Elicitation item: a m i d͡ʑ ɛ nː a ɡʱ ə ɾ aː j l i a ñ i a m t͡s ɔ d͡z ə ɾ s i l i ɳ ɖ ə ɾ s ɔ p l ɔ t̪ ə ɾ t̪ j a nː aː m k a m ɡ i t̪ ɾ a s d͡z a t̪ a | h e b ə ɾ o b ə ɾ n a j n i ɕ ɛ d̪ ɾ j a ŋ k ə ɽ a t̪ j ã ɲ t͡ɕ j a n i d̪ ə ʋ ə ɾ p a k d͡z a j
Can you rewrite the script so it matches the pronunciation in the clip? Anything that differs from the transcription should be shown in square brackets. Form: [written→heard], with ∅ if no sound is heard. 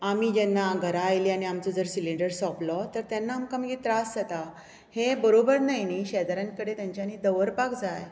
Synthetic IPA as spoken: a m i d͡ʑ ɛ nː a ɡʱ ə ɾ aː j l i a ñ i a m t͡s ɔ d͡z ə ɾ s i l i ɳ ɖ ə ɾ s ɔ p l ɔ t̪ ə ɾ t̪ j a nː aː m k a m ɡ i t̪ ɾ a s d͡z a t̪ a | h e b ə ɾ o b ə ɾ n a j n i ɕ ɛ d̪ ɾ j a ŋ k ə ɽ [a→e] t̪ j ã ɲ t͡ɕ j a n i d̪ ə ʋ ə ɾ p a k d͡z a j